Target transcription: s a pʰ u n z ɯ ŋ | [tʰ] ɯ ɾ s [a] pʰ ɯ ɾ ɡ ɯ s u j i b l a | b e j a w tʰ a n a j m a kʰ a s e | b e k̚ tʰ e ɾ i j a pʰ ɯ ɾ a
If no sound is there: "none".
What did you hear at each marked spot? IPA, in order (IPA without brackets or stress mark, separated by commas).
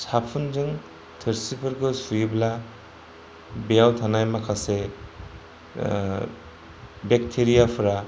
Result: tʰ, i